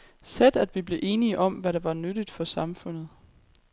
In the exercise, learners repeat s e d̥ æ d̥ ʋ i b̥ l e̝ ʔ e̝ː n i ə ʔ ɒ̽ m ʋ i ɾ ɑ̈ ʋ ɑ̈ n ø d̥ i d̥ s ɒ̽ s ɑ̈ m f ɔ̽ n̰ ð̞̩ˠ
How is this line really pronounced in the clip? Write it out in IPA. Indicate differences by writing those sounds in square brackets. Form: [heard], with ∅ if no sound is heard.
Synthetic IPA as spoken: s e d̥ æ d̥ ʋ i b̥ l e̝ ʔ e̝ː n i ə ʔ ɒ̽ m ʋ [æ] ɾ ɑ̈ ʋ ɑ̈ n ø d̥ i d̥ [f] ɒ̽ s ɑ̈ m f ɔ̽ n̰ ð̞̩ˠ